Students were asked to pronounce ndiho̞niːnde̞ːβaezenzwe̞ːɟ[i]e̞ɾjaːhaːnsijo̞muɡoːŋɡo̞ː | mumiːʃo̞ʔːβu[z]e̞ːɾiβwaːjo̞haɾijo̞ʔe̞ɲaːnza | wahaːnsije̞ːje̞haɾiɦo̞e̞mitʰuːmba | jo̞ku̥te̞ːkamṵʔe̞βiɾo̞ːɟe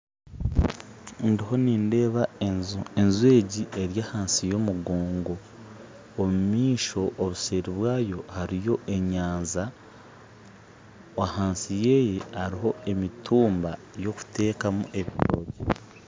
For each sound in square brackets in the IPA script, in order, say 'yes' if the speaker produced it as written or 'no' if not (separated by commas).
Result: yes, no